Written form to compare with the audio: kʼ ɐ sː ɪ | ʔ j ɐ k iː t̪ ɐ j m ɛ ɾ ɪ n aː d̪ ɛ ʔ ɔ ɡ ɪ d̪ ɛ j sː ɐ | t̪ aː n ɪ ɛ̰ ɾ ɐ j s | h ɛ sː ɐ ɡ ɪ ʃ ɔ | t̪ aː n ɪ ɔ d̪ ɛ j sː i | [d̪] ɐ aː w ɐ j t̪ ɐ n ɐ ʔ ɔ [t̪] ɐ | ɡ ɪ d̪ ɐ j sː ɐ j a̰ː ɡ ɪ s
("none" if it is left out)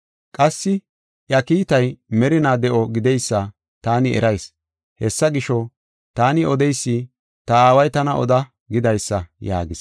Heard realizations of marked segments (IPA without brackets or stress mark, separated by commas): t̪, d̪